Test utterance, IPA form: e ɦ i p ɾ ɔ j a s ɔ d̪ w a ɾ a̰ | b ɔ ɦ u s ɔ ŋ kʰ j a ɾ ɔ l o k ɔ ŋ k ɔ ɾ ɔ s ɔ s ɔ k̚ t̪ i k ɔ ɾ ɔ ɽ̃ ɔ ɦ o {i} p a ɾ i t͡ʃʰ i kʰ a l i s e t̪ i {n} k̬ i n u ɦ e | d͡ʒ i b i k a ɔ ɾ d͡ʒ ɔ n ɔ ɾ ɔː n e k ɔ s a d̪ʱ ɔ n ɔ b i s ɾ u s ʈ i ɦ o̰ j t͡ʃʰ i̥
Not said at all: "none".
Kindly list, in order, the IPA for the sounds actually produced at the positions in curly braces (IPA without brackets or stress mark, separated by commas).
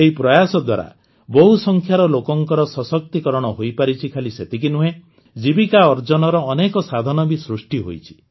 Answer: j, none